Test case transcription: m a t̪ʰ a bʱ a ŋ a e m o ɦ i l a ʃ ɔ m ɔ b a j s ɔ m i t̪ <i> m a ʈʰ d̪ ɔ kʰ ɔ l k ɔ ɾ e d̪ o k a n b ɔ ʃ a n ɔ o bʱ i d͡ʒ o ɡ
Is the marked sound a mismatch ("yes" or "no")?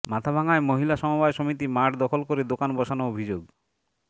no